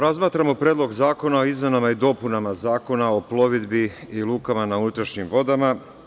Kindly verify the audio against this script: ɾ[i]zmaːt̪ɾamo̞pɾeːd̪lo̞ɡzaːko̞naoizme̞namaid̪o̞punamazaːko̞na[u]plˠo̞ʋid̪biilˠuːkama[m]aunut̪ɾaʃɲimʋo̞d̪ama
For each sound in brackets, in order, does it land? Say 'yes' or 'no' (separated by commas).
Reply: no, no, no